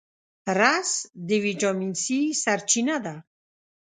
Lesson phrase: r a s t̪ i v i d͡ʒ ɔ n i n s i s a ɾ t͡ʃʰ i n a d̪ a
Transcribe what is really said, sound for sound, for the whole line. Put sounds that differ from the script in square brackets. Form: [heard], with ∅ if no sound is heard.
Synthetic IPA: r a s [d̪] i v i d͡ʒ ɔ [m] i n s i s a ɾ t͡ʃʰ i n a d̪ a